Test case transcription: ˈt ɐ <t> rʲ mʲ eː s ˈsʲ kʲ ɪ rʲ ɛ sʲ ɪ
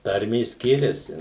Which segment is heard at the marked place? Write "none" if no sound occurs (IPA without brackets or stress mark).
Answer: none